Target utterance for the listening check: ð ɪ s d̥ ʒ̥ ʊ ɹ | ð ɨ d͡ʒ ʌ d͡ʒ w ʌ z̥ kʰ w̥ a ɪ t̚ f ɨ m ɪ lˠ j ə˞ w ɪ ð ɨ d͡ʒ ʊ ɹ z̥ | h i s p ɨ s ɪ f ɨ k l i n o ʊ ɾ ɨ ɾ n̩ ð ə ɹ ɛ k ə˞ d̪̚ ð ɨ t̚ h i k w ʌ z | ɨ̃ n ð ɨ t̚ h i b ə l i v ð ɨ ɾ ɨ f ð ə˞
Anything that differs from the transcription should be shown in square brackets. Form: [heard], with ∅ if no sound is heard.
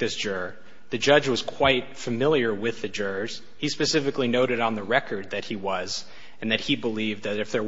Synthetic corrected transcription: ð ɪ s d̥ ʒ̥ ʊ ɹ | ð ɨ d͡ʒ ʌ d͡ʒ w ʌ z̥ kʰ w̥ a ɪ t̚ f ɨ m ɪ lˠ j ə˞ w ɪ ð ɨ d͡ʒ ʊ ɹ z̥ | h i s p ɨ s ɪ f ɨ k l i n o ʊ ɾ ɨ ɾ n̩ ð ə ɹ ɛ k ə˞ d̪̚ ð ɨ t̚ h i [∅] w ʌ z | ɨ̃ n ð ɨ t̚ h i b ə l i v ð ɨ ɾ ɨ f ð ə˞